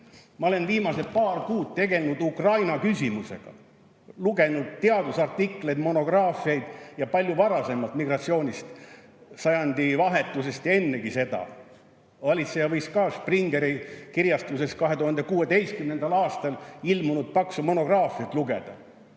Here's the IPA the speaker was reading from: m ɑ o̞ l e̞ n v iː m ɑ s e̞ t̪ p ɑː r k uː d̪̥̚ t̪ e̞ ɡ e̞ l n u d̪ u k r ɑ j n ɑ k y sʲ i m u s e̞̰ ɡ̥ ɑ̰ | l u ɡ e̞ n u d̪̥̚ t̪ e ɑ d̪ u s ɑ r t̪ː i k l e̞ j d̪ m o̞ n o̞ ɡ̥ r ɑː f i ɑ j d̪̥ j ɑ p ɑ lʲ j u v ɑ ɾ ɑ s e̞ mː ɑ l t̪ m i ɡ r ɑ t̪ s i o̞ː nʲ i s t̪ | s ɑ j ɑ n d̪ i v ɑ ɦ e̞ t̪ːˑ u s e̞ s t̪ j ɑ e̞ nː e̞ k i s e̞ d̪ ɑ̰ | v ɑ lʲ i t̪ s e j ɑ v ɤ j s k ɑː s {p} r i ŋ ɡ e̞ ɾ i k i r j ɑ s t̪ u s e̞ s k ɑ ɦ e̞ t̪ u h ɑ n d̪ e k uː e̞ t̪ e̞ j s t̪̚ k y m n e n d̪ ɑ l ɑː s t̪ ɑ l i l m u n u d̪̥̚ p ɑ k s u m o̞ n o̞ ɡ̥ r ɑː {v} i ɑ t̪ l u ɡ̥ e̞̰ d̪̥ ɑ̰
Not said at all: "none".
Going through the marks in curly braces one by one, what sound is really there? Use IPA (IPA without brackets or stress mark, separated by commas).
p, f